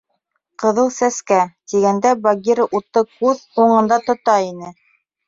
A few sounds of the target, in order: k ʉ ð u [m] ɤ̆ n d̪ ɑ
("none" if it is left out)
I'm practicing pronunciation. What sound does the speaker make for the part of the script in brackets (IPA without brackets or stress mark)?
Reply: ɴ